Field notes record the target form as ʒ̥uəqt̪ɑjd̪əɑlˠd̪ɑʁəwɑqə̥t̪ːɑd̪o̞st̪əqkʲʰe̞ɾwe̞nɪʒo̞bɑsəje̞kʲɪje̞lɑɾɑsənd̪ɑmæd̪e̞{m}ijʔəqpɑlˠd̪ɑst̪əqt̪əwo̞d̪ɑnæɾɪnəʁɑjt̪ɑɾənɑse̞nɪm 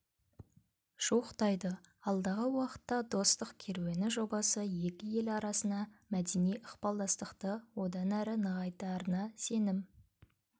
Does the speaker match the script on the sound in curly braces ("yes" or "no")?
no